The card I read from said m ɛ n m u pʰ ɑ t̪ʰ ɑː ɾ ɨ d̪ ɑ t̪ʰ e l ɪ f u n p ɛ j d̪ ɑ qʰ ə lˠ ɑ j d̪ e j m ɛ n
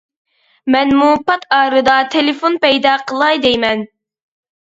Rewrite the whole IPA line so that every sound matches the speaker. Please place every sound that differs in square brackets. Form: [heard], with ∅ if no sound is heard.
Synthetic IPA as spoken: m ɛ n m u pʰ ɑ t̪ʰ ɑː ɾ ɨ d̪ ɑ t̪ʰ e l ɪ f [o] n p ɛ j d̪ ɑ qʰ ə lˠ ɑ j d̪ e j m ɛ n